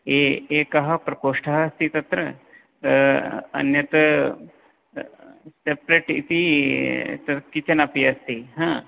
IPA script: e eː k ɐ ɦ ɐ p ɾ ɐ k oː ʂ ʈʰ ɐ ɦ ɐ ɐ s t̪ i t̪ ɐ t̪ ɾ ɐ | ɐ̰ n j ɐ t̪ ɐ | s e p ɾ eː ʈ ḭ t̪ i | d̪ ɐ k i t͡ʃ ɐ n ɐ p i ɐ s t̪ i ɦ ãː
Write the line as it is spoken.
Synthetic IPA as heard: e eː k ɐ ɦ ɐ p ɾ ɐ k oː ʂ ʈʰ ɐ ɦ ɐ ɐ s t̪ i t̪ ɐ t̪ ɾ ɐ | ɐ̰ n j ɐ t̪ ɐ | s e p ɾ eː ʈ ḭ t̪ i | t̪ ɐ k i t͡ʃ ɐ n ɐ p i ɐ s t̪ i ɦ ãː